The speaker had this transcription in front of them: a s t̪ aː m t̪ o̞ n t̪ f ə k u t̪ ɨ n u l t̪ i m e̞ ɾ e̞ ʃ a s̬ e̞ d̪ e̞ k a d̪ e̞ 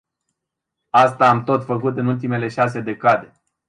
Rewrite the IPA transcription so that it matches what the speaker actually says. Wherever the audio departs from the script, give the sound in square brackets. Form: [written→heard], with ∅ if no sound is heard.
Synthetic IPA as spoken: a s t̪ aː m t̪ o̞ [n→∅] t̪ f ə k u t̪ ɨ n u l t̪ i m e̞ [ɾ→l] e̞ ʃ a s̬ e̞ d̪ e̞ k a d̪ e̞